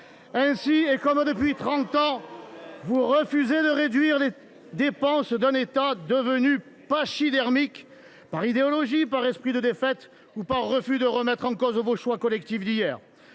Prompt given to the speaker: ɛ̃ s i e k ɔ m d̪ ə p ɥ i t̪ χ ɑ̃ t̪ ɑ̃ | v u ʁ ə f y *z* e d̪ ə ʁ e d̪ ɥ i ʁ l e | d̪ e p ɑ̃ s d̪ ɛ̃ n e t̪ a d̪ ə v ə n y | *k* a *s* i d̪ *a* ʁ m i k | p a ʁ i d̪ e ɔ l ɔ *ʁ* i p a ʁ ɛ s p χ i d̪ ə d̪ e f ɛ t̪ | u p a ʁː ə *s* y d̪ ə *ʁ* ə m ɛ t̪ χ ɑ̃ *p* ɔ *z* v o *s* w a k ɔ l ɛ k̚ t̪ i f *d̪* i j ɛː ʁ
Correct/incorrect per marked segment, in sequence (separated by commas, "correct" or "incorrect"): correct, incorrect, incorrect, incorrect, incorrect, incorrect, correct, incorrect, correct, incorrect, correct